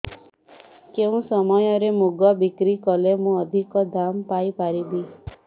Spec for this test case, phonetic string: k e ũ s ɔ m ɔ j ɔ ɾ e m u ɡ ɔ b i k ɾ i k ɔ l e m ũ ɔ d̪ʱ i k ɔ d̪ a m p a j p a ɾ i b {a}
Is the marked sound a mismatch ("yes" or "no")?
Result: yes